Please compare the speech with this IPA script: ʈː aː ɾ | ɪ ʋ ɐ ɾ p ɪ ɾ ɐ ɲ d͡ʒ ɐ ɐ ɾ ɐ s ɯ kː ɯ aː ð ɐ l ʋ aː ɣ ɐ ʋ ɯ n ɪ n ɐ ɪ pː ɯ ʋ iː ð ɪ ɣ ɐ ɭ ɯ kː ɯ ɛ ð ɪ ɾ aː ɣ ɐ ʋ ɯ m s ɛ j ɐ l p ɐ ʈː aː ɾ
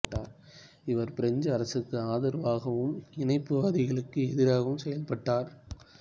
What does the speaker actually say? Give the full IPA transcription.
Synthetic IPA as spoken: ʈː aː ɾ | ɪ ʋ ɐ ɾ p ɪ ɾ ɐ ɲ d͡ʒ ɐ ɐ ɾ ɐ s ɯ kː ɯ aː ð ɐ ɾ ʋ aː ɣ ɐ ʋ ɯ m ɪ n ɐ ɪ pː ɯ ʋ aː ð ɪ ɣ ɐ ɭ ɯ kː ɯ ɛ ð ɪ ɾ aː ɣ ɐ ʋ ɯ m s ɛ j ɐ l p ɐ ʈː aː ɾ